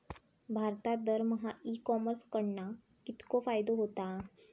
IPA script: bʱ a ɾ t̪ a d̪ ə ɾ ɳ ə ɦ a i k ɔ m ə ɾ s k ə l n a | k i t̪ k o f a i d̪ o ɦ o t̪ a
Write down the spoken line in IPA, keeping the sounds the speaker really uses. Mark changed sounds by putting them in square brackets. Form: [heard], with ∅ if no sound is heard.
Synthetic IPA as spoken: bʱ a ɾ t̪ a d̪ ə ɾ [m] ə ɦ a i k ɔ m ə ɾ s k ə [ɽ] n a | k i t̪ k o f a [j] d̪ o ɦ o t̪ a